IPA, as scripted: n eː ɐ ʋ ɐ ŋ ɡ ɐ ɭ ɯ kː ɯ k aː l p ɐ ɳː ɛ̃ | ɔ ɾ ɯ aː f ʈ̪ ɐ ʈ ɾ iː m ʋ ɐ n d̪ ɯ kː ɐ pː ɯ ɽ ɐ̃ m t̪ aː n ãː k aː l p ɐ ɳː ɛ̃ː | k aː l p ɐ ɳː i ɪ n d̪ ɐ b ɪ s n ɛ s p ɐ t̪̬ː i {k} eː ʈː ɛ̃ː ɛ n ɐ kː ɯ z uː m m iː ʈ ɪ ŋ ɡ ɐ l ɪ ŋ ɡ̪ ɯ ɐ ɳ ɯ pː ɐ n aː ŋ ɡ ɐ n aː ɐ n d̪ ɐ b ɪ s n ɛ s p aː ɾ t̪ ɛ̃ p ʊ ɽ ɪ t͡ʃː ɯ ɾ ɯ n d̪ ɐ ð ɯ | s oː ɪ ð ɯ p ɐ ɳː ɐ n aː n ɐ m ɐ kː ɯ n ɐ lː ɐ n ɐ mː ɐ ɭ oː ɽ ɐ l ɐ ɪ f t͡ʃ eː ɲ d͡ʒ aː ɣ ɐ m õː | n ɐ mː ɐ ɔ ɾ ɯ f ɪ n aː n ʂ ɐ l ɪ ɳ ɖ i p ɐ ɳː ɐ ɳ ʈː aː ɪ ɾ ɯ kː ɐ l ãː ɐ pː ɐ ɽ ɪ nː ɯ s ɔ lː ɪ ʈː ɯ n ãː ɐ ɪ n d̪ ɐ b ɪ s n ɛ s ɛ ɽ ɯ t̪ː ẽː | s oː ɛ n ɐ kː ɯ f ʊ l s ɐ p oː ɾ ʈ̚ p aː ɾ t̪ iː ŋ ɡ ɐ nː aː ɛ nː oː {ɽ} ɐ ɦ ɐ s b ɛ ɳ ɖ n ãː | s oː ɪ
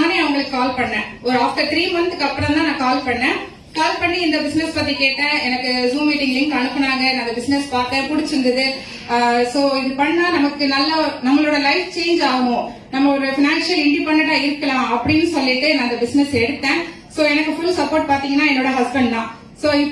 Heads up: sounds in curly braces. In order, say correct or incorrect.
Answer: correct, correct

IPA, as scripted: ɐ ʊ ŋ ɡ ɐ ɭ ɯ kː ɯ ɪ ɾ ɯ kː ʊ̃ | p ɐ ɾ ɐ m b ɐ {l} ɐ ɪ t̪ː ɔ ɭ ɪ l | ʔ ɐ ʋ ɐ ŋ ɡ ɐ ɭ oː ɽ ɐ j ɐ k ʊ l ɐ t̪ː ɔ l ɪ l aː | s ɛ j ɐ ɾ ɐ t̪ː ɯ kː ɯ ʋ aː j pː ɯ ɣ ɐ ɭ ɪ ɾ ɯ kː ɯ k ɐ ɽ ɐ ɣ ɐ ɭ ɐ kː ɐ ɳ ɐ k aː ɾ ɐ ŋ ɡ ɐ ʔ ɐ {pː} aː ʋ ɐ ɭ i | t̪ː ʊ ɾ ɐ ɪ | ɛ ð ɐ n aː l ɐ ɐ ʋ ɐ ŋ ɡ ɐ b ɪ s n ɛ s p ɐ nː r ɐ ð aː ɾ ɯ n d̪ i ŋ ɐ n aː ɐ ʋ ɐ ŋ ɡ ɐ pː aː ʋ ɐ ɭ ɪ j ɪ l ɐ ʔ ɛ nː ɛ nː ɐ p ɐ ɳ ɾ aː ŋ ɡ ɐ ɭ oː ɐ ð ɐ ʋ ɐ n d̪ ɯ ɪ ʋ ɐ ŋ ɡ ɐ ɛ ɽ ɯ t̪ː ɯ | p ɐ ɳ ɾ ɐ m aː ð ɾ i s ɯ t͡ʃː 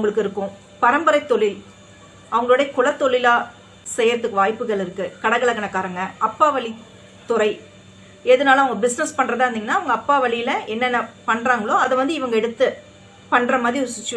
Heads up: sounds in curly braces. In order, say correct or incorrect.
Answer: incorrect, correct

